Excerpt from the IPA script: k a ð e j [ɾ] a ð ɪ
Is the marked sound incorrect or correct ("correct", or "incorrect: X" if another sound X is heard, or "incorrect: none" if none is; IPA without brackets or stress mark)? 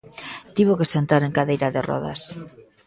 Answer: correct